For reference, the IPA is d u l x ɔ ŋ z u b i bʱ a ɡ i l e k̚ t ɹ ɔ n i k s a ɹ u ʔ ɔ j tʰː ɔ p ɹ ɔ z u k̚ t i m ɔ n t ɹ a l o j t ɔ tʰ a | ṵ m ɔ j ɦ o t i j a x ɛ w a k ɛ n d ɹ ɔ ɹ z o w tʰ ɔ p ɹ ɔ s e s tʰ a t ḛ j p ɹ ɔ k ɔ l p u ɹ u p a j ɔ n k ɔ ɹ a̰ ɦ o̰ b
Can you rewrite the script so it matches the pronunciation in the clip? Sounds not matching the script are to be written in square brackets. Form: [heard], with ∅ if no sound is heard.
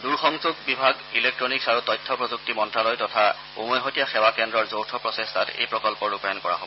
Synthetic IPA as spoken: d u [ɹ] x ɔ ŋ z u b i bʱ a ɡ i l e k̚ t ɹ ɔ n i k s a ɹ u [t] ɔ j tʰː ɔ p ɹ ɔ z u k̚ t i m ɔ n t ɹ a l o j t ɔ tʰ a | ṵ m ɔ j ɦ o t i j a x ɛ w a k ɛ n d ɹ ɔ ɹ z o w tʰ ɔ p ɹ ɔ s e s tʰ a t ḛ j p ɹ ɔ k ɔ l p [ɔ] ɹ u p a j ɔ n k ɔ ɹ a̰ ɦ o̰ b